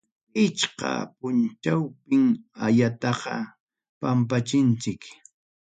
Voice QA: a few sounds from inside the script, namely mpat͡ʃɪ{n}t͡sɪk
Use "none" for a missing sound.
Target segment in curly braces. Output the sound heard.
n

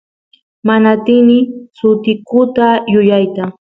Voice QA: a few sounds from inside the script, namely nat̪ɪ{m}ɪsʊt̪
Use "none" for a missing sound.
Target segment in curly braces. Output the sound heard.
n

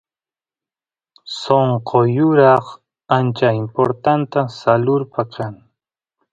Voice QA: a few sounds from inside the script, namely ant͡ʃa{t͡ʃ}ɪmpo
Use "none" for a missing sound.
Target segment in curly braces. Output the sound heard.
none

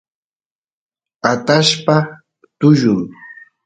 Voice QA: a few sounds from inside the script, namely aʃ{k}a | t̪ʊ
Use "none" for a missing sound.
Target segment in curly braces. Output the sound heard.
p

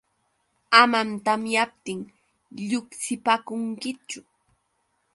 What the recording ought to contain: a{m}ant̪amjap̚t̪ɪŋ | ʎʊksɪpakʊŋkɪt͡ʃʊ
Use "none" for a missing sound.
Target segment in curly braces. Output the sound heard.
m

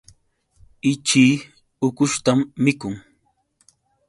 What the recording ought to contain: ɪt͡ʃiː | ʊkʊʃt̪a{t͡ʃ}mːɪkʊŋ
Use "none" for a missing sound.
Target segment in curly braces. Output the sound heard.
none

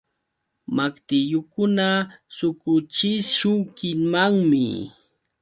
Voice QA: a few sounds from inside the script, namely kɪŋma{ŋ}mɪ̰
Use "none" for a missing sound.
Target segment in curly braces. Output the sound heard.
ŋ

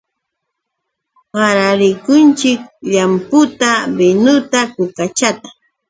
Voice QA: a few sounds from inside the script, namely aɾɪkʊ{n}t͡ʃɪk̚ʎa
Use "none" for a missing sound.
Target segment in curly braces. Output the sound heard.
n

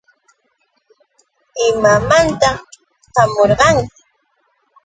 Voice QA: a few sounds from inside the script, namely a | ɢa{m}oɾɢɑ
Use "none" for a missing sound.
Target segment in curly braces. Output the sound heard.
m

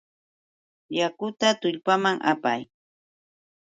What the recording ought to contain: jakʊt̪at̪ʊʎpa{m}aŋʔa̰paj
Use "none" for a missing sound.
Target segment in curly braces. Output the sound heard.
m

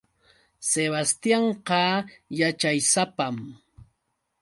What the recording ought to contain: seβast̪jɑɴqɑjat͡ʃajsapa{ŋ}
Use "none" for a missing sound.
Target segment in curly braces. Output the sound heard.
m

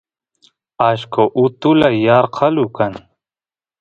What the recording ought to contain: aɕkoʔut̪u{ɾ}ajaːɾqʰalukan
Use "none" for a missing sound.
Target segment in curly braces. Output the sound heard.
l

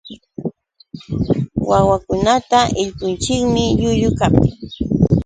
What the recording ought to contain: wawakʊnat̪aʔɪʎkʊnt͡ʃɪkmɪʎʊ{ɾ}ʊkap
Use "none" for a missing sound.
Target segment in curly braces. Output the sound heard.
ʎ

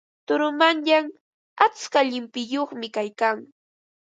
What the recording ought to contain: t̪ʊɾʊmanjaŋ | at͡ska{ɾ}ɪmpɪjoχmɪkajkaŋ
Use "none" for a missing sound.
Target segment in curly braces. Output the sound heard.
ʎ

